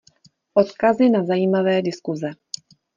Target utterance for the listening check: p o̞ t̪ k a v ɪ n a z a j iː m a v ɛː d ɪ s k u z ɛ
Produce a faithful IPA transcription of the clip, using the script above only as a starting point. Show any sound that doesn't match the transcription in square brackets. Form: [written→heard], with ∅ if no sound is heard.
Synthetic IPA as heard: [p→ʔ] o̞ t̪ k a [v→z] ɪ n a z a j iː m a v ɛː d ɪ s k u z ɛ